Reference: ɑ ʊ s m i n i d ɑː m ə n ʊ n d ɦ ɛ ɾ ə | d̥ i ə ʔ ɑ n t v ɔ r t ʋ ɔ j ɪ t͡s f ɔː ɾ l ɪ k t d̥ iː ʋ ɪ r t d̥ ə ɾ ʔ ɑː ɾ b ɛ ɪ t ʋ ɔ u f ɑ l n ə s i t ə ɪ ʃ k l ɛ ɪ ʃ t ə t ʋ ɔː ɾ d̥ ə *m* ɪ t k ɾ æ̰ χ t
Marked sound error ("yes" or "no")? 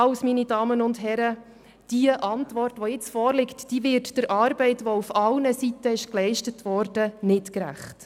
yes